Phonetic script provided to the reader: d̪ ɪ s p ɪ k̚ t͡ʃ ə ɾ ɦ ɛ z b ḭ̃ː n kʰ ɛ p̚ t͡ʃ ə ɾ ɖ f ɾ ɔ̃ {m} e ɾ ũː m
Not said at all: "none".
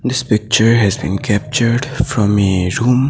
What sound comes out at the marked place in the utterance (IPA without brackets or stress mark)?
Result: m